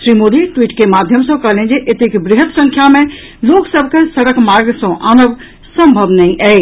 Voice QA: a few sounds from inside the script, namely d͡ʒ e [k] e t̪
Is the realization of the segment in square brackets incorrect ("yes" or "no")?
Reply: yes